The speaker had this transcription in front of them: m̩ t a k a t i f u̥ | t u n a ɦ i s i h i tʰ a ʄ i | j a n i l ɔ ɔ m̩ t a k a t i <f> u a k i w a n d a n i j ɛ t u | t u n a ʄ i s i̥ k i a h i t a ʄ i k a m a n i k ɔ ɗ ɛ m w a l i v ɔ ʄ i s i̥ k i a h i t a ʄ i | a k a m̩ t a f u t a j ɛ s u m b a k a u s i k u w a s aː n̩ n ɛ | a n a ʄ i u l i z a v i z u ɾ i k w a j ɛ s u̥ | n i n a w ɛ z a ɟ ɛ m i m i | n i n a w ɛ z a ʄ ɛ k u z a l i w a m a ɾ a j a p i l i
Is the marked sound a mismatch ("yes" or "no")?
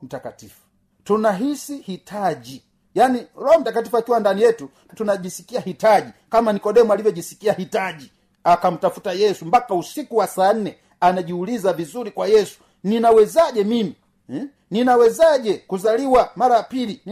no